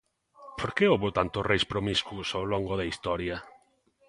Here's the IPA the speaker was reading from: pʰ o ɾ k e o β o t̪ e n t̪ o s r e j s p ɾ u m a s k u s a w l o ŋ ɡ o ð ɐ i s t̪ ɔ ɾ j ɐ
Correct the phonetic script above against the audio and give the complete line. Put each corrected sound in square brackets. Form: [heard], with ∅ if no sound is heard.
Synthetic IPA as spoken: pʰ o ɾ k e o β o t̪ [a] n t̪ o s r e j s p ɾ [o] m [i] s k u s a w l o ŋ ɡ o ð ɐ i s t̪ ɔ ɾ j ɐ